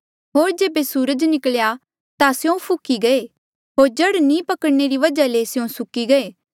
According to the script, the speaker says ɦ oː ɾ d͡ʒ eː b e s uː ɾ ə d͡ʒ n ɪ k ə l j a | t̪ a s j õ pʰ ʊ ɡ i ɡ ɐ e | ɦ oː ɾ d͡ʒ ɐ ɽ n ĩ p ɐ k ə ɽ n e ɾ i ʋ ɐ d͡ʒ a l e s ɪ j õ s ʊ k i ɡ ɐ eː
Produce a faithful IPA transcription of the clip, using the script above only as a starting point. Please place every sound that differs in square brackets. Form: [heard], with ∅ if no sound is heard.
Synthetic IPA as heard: ɦ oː ɾ d͡ʒ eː b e s uː ɾ ə d͡ʒ n ɪ k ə l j a | t̪ a s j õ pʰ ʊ [k] i ɡ ɐ e | ɦ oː ɾ d͡ʒ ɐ ɽ n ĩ p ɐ k ə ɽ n e ɾ i ʋ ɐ d͡ʒ a l e s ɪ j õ s ʊ k i ɡ ɐ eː